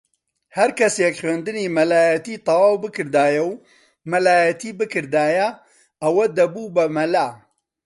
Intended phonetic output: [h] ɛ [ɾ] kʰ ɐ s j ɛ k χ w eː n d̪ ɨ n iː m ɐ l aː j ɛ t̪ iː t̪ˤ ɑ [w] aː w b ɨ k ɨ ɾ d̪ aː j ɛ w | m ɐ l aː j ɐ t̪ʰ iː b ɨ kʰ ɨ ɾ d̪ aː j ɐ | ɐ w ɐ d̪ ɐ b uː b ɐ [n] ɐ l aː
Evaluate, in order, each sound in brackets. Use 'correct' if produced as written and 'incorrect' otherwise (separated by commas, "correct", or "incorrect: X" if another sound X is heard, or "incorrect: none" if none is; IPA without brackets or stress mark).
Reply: correct, correct, correct, incorrect: m